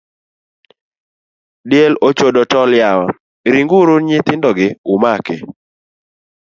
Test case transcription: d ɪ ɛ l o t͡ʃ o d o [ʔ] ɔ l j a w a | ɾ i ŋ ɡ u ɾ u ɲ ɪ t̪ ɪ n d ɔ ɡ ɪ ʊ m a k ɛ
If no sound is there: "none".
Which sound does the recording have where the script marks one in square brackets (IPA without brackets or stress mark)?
t